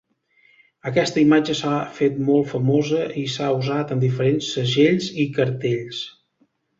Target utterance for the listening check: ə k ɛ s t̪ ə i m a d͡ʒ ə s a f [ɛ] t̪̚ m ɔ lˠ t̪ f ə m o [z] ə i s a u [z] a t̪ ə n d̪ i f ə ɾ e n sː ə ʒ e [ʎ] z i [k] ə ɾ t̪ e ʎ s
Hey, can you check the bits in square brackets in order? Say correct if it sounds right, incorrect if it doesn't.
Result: incorrect, correct, correct, correct, correct

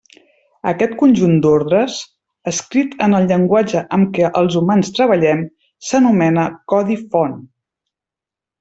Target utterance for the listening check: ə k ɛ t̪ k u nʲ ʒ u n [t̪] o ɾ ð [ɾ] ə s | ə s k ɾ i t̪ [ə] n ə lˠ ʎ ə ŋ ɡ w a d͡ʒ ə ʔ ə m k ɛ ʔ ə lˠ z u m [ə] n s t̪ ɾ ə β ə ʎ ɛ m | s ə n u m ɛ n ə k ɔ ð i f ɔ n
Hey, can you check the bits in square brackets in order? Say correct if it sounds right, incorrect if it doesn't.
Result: incorrect, correct, correct, incorrect

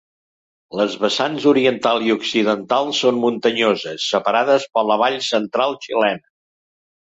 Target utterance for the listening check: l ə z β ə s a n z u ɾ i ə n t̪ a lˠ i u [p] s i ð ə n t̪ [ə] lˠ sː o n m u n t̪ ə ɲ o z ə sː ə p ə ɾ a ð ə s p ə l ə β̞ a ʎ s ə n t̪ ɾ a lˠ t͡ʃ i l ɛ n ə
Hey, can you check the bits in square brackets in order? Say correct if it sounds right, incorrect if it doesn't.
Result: incorrect, incorrect

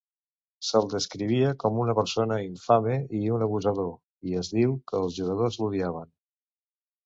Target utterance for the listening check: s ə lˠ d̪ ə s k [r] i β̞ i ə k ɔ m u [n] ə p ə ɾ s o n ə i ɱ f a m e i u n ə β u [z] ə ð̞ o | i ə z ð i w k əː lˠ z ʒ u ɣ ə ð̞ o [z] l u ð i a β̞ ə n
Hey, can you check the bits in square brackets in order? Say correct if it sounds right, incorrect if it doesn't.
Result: incorrect, correct, correct, correct

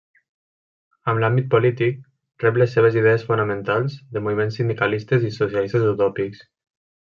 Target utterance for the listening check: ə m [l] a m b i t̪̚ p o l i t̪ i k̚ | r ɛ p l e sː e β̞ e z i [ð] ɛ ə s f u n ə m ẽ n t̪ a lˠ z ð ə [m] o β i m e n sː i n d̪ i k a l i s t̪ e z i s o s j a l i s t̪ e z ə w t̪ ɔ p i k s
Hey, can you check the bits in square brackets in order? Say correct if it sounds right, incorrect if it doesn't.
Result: correct, correct, correct

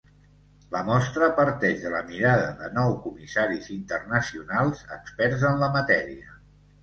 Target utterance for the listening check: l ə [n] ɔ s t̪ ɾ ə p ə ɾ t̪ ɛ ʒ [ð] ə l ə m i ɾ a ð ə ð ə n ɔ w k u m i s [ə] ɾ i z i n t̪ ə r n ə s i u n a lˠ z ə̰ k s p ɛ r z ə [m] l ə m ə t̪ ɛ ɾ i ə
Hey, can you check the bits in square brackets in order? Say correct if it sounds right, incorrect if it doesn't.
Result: incorrect, correct, incorrect, incorrect

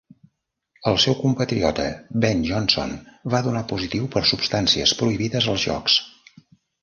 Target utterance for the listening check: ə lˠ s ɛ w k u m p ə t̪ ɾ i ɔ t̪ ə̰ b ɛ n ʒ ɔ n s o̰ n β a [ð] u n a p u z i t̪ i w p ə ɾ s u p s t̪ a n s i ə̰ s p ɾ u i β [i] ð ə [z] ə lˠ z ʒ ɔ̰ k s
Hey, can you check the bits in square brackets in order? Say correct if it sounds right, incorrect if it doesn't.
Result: correct, correct, correct

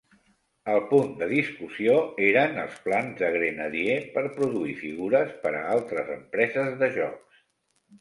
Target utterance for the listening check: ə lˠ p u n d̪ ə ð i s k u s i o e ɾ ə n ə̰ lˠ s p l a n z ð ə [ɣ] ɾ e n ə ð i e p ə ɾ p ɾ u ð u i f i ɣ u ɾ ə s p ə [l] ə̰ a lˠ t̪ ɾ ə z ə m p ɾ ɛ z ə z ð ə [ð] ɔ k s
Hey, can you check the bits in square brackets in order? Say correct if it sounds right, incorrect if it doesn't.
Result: correct, incorrect, incorrect

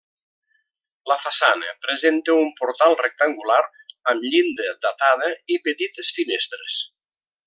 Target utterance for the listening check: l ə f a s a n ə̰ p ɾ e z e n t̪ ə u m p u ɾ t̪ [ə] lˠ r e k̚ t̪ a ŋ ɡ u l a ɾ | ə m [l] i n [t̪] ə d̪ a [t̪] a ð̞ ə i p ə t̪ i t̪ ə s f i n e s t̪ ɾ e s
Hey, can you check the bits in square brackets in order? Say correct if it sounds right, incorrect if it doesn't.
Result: incorrect, incorrect, incorrect, correct

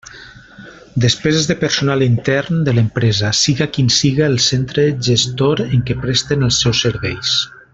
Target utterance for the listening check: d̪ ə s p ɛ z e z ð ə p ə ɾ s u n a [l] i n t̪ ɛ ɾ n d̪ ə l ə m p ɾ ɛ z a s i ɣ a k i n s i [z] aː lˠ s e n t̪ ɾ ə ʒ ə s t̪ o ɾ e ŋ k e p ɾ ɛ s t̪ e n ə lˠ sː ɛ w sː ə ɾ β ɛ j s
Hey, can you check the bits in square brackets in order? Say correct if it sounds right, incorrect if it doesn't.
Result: correct, incorrect

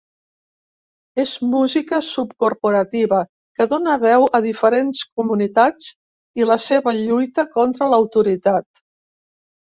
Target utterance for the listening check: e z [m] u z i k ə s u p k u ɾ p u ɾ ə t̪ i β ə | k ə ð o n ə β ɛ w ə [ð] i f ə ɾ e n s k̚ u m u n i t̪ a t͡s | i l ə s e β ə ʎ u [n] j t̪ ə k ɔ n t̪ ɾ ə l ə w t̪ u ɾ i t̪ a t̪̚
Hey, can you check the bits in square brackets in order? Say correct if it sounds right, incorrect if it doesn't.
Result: correct, correct, incorrect

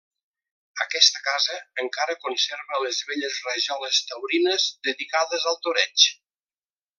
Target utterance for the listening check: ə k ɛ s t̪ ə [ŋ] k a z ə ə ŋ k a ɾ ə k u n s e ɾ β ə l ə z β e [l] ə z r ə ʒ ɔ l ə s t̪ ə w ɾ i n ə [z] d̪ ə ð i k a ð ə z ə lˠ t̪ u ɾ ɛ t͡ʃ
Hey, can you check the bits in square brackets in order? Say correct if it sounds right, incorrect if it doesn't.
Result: incorrect, incorrect, correct

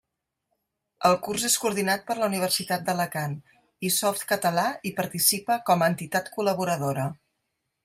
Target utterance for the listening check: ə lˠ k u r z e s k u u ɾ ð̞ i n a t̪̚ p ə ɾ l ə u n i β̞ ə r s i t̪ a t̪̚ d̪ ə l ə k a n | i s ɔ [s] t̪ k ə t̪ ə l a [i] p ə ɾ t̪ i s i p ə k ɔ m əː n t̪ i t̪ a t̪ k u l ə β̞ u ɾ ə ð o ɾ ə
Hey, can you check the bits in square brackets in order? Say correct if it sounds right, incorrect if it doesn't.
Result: incorrect, correct

